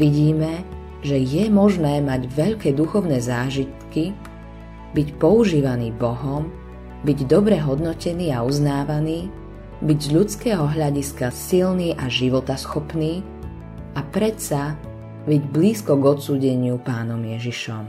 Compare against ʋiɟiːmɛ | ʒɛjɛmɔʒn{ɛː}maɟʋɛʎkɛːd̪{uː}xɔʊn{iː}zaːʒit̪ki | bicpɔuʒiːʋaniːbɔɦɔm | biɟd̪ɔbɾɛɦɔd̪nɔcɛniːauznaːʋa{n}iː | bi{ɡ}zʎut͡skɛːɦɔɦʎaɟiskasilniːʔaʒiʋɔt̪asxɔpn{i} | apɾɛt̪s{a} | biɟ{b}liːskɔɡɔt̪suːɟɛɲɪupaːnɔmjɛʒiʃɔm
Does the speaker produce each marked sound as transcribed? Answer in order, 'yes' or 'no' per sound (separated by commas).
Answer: yes, no, no, yes, no, no, yes, yes